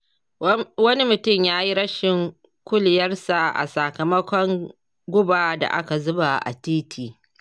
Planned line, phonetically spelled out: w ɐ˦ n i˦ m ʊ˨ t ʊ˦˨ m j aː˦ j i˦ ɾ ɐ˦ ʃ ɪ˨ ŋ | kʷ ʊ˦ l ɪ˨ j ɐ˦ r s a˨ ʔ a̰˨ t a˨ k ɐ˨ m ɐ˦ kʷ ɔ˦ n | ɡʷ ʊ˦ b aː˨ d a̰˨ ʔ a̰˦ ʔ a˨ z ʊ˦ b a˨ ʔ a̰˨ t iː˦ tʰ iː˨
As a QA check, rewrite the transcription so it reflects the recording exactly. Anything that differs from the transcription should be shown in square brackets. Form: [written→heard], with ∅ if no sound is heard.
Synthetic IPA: w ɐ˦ n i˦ m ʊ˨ t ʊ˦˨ m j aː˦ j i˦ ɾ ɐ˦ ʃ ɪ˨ ŋ | kʷ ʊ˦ l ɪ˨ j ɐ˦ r s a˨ ʔ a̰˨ [t→s] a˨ k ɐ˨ m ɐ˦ kʷ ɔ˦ [n→ŋ] | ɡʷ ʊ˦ b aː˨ d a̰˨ ʔ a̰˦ [ʔ→k] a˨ z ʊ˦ b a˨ ʔ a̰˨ t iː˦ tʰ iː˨